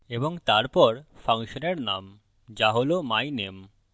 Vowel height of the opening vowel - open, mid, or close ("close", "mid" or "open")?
mid